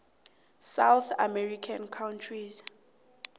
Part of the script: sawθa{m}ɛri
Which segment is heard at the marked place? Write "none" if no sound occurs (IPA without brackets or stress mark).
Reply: m